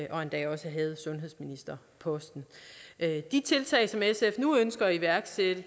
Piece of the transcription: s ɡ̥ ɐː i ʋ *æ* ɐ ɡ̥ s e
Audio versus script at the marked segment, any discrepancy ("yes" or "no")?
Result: no